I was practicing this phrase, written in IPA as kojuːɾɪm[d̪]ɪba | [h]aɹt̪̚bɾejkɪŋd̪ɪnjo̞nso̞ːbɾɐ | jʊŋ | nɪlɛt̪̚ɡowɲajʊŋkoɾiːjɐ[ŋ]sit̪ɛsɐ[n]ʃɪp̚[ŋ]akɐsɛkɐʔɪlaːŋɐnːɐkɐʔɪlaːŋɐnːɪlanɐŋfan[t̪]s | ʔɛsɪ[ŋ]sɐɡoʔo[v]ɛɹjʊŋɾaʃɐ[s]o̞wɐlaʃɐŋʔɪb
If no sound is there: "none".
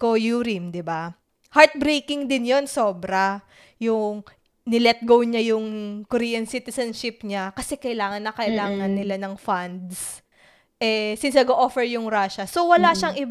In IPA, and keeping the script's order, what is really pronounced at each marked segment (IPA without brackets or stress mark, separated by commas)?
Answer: d̪, h, n, n, ɲ, d̪, n, f, s